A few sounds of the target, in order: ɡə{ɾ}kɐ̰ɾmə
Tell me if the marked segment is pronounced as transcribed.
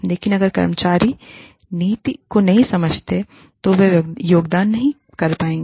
yes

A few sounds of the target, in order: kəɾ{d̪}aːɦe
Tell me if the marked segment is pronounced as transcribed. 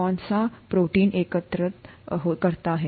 no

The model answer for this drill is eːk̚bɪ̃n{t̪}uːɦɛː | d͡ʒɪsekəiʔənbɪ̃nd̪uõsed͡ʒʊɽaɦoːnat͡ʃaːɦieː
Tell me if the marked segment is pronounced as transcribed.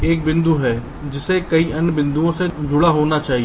no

